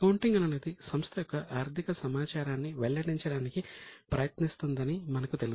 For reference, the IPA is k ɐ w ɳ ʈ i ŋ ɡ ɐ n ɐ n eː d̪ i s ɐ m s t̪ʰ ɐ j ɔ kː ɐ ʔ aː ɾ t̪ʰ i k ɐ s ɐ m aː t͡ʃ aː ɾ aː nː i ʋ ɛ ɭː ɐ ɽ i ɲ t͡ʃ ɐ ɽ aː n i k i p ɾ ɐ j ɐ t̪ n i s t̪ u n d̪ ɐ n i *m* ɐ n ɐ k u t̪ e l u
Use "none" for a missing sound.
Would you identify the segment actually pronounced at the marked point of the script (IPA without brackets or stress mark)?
m